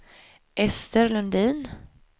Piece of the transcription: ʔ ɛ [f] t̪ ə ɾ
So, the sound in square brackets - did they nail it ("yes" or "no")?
no